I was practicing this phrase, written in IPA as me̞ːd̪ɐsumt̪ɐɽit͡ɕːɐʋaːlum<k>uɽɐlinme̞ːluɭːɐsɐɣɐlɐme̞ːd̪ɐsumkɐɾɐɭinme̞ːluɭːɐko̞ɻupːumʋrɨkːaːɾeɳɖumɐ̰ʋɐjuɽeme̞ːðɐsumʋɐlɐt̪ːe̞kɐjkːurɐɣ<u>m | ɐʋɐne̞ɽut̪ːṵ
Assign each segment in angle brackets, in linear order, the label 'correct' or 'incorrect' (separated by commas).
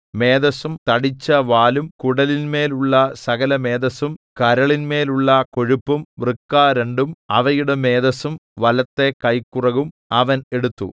correct, correct